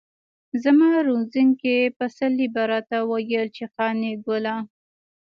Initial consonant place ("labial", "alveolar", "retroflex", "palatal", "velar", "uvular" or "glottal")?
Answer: alveolar